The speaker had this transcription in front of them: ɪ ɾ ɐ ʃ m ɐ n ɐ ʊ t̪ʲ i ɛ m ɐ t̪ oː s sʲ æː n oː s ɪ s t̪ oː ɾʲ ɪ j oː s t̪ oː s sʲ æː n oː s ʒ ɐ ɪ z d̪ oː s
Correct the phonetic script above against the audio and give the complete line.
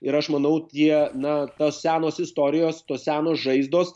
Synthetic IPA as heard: ɪ ɾ ɐ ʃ m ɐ n ɐ ʊ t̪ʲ i ɛ n ɐ t̪ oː s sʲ æː n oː s ɪ s t̪ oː ɾʲ ɪ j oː s t̪ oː s sʲ æː n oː s ʒ ɐ ɪ z d̪ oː s